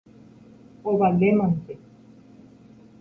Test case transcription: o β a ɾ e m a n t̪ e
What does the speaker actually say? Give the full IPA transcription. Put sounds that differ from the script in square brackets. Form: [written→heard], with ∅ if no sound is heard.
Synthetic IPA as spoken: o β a [ɾ→l] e m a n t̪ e